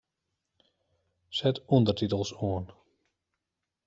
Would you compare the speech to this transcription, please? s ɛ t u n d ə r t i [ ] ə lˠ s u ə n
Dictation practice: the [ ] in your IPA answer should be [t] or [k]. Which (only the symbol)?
t